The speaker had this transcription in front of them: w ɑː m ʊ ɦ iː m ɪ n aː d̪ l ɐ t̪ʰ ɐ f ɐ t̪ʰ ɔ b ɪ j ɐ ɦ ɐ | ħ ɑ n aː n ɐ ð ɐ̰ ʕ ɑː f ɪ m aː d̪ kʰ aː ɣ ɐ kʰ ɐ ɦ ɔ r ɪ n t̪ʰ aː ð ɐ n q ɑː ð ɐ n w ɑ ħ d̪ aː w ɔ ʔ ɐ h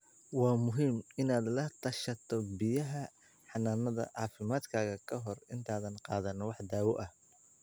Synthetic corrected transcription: w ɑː m ʊ ɦ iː m ɪ n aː d̪ l ɐ t̪ʰ ɐ ʃ ɐ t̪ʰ ɔ b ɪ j ɐ ɦ ɐ | ħ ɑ n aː n ɐ ð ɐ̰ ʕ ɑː f ɪ m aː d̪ kʰ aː ɣ ɐ kʰ ɐ ɦ ɔ r ɪ n t̪ʰ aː ð ɐ n q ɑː ð ɐ n w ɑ ħ d̪ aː w ɔ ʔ ɐ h